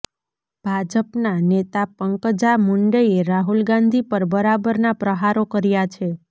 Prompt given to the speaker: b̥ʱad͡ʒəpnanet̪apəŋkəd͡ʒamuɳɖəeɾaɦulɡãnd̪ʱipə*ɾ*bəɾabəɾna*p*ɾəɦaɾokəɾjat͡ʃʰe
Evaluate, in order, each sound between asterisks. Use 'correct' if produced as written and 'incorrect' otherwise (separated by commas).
correct, correct